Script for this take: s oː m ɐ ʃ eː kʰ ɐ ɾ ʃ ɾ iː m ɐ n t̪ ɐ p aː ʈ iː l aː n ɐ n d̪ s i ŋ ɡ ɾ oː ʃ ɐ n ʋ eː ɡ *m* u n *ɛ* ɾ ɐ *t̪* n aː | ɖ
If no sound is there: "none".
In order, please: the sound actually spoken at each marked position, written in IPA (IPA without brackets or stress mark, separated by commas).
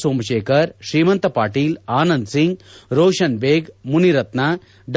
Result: m, i, t̪